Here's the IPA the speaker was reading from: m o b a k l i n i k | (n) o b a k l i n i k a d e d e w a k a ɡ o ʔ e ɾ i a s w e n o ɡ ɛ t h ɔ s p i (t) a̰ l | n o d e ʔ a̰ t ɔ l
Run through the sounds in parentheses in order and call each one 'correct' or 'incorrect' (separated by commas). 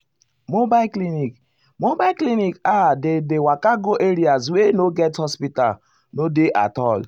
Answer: incorrect, correct